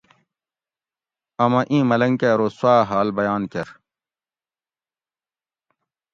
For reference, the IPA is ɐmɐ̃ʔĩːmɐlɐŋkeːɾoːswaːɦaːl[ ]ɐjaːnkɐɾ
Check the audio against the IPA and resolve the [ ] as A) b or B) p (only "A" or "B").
A